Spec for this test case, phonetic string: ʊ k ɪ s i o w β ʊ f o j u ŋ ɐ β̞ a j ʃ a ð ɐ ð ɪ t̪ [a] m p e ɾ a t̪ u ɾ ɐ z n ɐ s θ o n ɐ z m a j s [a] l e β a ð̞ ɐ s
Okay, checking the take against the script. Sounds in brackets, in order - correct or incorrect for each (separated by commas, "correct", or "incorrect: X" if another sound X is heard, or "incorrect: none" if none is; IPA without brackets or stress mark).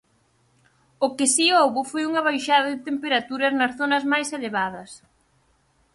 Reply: incorrect: e, incorrect: e